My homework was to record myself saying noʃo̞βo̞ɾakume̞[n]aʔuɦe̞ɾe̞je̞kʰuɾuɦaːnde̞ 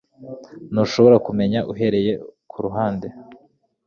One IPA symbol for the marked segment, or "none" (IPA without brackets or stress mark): ɲ